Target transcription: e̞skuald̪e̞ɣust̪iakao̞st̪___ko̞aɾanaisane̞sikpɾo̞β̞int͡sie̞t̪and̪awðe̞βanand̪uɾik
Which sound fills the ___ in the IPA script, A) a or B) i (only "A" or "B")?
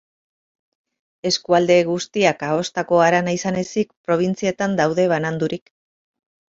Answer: A